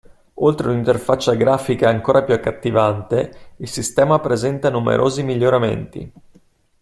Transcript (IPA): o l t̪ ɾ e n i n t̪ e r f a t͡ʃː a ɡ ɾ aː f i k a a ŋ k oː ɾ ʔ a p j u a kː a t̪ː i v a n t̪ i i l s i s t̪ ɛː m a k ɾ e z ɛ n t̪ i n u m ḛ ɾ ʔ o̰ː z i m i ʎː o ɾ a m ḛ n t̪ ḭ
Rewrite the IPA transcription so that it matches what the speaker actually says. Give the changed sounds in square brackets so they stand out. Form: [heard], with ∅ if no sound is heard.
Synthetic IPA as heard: o l t̪ ɾ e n i n t̪ e r f a t͡ʃː a ɡ ɾ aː f i k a a ŋ k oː ɾ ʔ a p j u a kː a t̪ː i v a n t̪ [e] i l s i s t̪ ɛː m a [p] ɾ e z ɛ n t̪ [a] n u m ḛ ɾ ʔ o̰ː z i m i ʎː o ɾ a m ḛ n t̪ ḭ